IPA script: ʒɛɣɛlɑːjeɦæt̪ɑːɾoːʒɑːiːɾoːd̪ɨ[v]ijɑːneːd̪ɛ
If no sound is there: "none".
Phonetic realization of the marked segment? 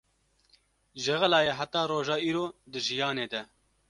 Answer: ʒ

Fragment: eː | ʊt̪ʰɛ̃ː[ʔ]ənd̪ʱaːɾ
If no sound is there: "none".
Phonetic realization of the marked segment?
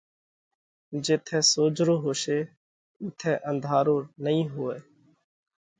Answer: ʔ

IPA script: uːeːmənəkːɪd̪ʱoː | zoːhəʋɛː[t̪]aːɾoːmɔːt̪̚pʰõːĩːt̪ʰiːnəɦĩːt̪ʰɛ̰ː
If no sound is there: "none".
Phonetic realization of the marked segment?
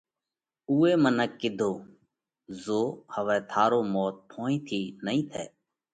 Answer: t̪ʰ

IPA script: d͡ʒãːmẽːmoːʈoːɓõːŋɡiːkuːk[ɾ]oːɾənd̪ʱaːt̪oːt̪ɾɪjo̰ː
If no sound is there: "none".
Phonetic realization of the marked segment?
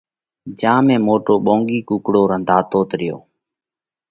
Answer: ɽ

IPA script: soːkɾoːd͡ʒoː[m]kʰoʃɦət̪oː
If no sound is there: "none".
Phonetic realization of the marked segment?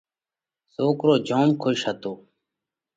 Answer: m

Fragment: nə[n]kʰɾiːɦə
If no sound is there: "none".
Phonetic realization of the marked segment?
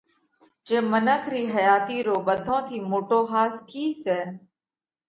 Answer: none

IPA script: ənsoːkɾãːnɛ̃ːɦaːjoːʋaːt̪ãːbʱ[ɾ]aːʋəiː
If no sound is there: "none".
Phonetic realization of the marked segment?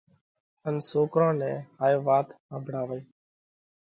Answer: ɽ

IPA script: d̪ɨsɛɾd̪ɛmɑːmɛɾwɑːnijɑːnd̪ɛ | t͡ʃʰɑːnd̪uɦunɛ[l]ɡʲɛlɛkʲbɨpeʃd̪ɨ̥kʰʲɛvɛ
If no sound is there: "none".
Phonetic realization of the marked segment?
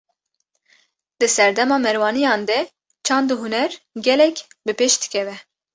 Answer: ɾ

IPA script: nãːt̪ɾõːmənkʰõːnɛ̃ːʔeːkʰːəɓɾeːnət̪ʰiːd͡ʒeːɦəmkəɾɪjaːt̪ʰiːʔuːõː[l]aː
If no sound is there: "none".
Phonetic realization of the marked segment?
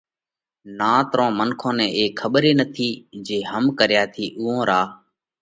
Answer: ɾ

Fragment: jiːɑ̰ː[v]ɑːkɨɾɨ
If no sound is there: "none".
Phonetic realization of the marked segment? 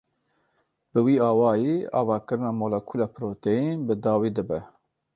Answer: v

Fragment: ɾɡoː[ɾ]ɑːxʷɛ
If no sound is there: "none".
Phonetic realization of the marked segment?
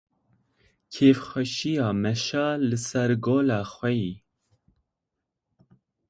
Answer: l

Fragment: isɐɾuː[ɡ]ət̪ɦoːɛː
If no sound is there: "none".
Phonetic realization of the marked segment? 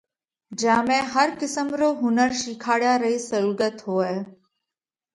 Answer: ɡ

